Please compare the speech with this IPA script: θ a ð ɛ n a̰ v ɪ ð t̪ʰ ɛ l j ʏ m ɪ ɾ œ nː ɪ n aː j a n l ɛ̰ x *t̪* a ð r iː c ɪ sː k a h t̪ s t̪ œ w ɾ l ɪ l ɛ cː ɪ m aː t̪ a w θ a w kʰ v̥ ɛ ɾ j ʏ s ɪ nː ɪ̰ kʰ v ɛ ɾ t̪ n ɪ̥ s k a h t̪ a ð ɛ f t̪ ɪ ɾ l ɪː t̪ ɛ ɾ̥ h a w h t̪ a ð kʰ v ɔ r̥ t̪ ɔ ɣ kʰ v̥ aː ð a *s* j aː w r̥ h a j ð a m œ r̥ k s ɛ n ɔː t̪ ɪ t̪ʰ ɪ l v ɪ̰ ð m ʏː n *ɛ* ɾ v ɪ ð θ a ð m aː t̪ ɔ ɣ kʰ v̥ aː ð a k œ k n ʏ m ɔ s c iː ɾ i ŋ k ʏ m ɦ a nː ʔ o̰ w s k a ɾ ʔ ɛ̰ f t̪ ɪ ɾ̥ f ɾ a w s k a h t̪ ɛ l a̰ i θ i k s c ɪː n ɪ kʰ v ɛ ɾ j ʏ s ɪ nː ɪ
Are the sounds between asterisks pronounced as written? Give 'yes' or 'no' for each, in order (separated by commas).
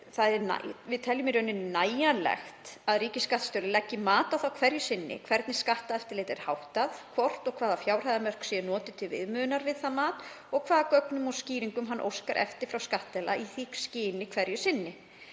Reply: yes, no, no